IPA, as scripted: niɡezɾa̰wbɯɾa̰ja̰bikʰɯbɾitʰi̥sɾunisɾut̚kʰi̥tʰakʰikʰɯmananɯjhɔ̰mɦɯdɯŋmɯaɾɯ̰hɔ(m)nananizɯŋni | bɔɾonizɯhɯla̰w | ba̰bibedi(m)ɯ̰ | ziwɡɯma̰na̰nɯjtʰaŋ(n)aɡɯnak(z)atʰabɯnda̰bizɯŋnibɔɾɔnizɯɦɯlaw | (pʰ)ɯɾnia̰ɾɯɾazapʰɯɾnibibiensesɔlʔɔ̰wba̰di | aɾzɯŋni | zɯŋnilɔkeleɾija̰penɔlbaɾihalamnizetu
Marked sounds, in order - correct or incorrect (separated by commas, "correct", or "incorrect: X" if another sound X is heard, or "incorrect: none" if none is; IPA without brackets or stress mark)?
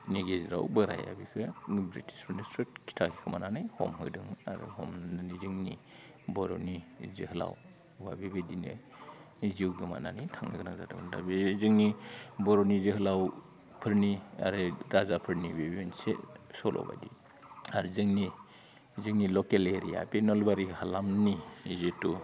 correct, incorrect: n, correct, correct, correct